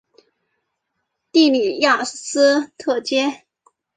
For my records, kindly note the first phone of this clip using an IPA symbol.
t̪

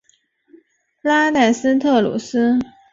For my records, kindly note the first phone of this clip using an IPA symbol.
l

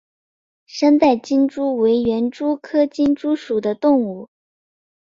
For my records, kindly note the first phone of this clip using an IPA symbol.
ʂ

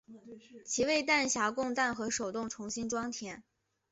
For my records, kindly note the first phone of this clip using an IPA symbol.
t͡ɕʰ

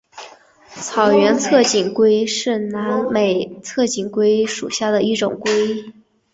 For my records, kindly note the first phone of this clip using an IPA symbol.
t͡sʰ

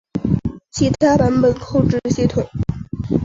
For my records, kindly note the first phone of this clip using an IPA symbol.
t͡ɕʰ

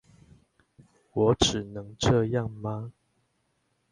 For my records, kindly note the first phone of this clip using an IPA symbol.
w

